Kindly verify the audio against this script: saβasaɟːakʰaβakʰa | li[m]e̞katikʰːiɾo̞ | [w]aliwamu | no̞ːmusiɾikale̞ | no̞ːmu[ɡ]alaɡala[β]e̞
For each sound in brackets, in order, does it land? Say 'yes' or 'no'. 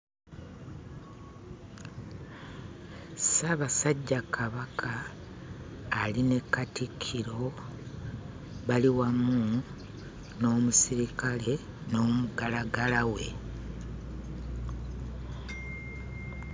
no, no, yes, no

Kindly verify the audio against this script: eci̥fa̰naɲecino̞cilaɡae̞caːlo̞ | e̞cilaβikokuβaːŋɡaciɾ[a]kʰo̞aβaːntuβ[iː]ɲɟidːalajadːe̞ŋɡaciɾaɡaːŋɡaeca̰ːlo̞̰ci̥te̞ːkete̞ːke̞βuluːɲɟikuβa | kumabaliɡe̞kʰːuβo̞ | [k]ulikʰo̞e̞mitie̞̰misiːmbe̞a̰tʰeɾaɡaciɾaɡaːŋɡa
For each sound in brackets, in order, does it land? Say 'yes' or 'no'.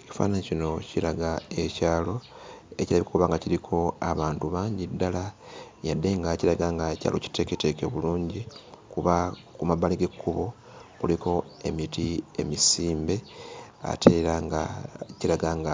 no, no, yes

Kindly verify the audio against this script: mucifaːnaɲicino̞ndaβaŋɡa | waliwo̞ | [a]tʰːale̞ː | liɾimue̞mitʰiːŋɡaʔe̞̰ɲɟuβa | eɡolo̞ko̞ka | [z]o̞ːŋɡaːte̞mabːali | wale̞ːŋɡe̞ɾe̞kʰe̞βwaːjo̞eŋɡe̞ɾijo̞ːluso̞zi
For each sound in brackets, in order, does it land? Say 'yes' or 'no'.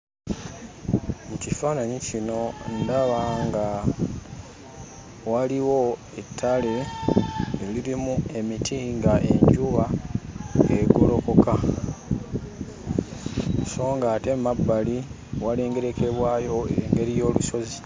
no, no

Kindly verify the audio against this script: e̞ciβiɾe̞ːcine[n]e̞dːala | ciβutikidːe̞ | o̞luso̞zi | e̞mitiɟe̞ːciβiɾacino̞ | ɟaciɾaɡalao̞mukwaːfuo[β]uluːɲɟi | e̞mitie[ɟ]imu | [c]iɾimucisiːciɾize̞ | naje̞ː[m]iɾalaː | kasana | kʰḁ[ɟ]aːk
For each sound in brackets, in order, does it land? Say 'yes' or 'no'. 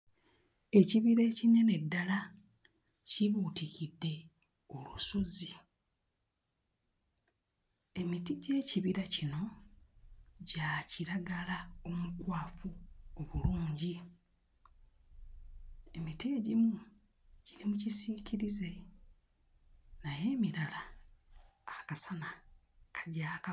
yes, yes, yes, no, yes, yes

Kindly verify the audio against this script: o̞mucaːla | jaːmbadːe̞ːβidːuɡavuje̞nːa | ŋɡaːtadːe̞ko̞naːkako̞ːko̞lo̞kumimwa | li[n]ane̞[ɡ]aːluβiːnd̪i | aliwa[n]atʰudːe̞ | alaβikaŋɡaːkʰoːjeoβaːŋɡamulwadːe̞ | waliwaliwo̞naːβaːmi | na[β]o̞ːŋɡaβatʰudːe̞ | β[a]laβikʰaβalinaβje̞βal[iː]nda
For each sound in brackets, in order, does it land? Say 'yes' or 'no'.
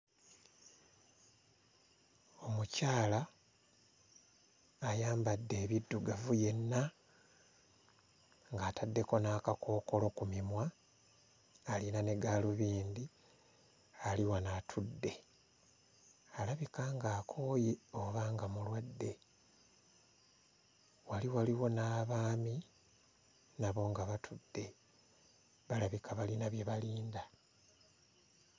yes, yes, yes, yes, yes, yes

